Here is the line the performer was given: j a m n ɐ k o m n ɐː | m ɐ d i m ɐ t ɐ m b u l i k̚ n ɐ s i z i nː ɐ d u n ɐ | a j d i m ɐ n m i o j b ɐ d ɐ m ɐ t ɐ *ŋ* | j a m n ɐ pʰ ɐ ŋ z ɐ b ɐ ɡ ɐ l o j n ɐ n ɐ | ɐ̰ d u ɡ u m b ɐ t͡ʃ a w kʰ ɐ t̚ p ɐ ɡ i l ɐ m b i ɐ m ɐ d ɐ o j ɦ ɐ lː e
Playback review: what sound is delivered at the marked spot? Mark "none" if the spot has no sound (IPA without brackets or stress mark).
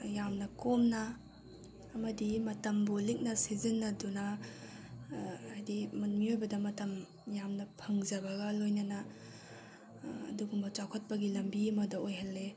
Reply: m